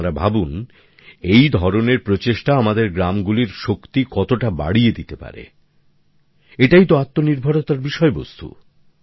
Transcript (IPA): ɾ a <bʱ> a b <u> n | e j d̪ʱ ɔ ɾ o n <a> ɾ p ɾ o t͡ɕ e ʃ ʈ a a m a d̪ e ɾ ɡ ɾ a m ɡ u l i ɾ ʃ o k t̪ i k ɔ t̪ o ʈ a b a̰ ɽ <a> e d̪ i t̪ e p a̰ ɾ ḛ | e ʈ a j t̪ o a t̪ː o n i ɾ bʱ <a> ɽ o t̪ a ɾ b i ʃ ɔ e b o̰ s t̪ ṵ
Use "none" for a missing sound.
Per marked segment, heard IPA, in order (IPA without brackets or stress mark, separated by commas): bʱ, u, e, i, a